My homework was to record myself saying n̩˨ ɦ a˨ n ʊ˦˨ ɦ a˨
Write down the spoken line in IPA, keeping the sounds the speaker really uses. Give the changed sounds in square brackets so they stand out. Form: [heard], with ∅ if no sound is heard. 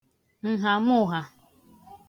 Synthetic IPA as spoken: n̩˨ ɦ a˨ [m] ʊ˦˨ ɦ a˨